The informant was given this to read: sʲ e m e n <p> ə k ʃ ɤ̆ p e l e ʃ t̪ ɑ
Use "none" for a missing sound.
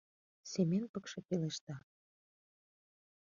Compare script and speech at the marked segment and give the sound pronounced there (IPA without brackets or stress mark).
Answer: p